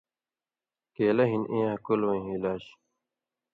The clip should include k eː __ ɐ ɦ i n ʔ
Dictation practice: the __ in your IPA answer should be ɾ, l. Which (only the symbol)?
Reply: l